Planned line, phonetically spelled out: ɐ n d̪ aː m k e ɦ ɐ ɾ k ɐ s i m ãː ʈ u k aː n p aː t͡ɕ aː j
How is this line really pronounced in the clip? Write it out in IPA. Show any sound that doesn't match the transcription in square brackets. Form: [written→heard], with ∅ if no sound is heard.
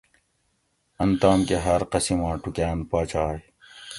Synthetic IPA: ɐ n [d̪→t̪] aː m k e ɦ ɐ ɾ [k→q] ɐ s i m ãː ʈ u k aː n p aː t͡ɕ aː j